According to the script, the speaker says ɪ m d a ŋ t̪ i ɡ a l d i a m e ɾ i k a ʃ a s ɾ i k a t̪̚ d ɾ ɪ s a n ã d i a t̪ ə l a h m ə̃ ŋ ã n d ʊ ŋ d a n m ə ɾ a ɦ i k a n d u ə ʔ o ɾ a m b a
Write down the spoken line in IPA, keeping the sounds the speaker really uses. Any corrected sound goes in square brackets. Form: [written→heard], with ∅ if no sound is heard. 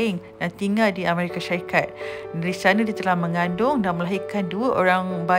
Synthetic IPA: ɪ [m→ŋ] d a [ŋ→n] t̪ i [ɡ→ŋ] a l d i a m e ɾ i k a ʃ a [s→∅] ɾ i k a t̪̚ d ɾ [ɪ→i] s a n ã d i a t̪ ə l a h m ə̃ ŋ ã n d ʊ ŋ d a n m ə [ɾ→l] a ɦ i k a n d u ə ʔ o ɾ a [m→ŋ] b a